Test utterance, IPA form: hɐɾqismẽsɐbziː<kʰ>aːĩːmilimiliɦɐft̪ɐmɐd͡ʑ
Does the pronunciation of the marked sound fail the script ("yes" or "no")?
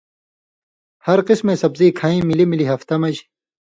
no